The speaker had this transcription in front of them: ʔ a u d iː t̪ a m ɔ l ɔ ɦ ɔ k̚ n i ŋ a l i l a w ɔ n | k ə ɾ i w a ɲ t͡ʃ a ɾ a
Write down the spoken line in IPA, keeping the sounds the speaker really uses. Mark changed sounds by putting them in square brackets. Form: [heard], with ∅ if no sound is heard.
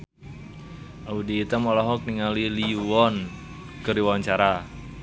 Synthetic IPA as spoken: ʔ a u d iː t̪ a m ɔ l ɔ ɦ ɔ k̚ n i ŋ a l i l [i] w ɔ n | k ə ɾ i w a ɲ t͡ʃ a ɾ a